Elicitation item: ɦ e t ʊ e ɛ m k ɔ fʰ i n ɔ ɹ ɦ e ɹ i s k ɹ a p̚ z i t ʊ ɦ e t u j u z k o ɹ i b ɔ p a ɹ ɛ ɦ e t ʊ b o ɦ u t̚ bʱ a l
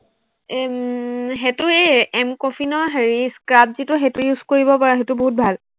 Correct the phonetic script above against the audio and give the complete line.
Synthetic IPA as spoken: ɦ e t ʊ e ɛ m k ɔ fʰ i n ɔ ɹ ɦ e ɹ i s k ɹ a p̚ z i t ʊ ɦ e t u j u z k o ɹ i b ɔ p a ɹ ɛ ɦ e t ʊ b o ɦ u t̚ bʱ a l